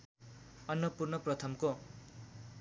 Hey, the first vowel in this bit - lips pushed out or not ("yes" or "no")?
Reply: no